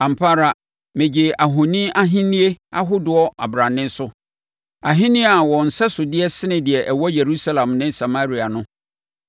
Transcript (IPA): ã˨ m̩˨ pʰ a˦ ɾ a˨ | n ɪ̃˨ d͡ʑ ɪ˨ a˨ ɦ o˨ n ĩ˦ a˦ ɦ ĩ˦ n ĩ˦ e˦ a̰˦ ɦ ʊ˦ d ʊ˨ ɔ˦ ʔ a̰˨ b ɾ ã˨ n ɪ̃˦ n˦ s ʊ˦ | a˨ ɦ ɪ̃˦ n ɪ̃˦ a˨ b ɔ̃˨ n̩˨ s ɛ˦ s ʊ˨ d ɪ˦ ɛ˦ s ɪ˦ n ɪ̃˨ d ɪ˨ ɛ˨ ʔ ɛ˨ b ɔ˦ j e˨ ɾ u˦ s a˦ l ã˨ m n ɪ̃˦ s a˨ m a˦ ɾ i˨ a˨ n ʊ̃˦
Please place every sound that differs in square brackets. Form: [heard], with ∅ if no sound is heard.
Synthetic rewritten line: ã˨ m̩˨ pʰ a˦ ɾ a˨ | [m] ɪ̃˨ d͡ʑ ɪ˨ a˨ ɦ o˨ n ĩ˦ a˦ ɦ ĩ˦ n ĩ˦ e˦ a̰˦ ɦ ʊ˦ d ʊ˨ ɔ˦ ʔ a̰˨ b ɾ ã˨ n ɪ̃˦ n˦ s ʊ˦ | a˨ ɦ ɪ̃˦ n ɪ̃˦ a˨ [w] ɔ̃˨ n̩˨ s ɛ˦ s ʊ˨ d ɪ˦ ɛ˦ s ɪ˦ n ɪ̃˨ d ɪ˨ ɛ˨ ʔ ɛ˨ [w] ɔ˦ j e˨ ɾ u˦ s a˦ l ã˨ m n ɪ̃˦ s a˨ m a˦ ɾ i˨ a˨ n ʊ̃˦